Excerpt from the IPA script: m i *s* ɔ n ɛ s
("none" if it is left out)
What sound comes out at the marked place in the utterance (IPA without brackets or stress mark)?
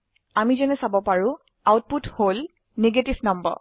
z